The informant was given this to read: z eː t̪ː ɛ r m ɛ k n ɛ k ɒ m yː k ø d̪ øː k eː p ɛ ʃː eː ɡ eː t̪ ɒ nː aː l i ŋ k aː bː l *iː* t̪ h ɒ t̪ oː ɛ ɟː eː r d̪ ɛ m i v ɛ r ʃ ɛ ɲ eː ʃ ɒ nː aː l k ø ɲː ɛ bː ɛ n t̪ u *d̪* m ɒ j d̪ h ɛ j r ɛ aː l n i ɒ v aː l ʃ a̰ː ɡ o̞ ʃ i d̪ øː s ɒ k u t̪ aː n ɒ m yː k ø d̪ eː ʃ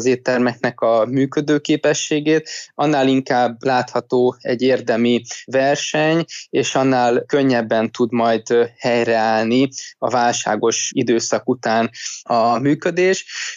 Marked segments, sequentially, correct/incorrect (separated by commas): incorrect, correct